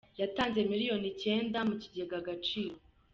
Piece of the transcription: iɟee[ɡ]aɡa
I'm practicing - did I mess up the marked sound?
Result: no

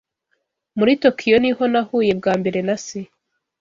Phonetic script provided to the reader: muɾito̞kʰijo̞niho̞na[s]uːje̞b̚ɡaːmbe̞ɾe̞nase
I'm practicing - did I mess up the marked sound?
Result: yes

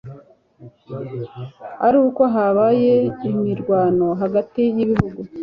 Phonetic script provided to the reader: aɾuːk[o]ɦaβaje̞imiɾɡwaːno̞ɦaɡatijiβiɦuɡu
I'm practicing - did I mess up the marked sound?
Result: no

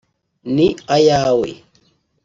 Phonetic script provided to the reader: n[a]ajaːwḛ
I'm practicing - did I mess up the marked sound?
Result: yes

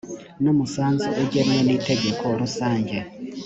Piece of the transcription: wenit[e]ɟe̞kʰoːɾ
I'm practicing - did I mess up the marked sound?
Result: no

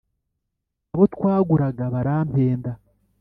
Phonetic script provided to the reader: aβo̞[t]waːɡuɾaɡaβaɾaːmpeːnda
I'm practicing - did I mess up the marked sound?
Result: no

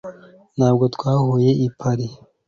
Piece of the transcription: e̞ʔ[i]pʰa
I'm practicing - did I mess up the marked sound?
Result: no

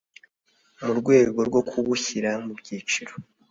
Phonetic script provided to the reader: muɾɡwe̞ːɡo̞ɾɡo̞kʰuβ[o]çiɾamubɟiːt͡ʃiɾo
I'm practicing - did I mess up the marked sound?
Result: yes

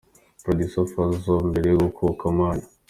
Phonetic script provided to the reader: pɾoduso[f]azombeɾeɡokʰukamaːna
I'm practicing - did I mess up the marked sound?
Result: no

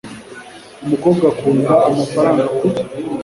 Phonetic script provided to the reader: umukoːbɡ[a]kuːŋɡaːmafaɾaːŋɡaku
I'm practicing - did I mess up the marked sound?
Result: no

